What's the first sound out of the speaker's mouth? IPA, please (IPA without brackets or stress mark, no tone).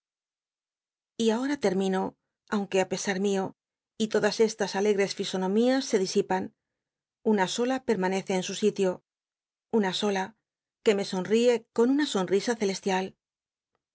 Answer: i